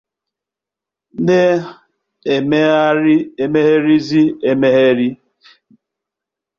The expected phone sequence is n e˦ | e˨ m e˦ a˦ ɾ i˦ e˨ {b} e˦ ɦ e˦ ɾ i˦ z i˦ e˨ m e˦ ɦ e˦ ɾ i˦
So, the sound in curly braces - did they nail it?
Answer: no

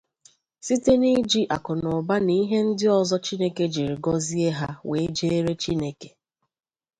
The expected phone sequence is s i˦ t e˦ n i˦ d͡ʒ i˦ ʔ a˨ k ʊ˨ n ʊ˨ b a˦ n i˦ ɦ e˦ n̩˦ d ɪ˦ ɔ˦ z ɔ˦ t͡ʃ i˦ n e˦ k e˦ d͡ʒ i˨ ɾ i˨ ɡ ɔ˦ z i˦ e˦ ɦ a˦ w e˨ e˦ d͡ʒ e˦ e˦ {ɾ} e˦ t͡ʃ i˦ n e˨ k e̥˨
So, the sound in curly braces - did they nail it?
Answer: yes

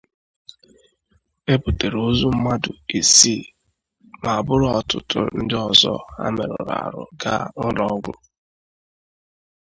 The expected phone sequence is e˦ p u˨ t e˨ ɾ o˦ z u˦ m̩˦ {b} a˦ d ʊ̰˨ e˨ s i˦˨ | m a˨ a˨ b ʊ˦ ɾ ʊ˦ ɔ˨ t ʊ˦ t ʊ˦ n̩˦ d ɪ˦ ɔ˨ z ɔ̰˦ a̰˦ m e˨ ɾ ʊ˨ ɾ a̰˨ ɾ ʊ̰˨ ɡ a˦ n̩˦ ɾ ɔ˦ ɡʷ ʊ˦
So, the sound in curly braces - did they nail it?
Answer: no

